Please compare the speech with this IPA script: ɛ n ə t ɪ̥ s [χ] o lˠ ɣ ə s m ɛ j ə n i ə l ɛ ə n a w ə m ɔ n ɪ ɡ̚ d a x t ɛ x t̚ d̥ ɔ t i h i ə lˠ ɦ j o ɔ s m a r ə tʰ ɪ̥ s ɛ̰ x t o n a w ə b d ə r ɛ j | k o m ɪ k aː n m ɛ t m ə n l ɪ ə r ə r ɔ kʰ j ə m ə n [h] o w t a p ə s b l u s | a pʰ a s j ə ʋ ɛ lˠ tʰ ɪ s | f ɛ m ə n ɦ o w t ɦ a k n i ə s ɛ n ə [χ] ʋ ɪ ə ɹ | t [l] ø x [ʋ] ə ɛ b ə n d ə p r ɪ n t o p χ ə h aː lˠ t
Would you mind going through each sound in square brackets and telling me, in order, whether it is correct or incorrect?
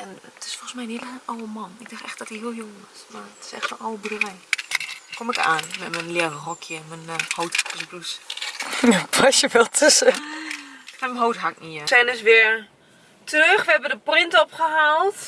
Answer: incorrect, correct, incorrect, incorrect, correct

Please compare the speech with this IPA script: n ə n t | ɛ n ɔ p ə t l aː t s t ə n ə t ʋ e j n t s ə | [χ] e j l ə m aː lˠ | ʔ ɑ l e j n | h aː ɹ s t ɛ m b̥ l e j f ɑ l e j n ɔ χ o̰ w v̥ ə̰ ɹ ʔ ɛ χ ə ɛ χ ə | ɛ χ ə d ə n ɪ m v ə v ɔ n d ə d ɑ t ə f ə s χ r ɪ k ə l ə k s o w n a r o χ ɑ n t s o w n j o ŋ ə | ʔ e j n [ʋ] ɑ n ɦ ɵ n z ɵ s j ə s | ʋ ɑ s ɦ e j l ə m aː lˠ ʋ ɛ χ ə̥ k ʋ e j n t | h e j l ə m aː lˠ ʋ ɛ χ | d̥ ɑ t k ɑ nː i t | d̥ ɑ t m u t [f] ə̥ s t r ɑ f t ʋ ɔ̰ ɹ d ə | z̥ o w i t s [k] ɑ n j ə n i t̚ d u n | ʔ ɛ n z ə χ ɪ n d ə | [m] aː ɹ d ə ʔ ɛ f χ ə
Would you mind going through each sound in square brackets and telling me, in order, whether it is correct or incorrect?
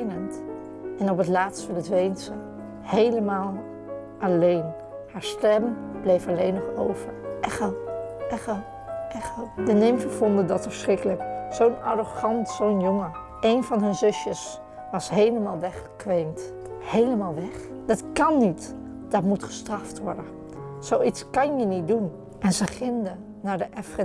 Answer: incorrect, incorrect, incorrect, correct, incorrect

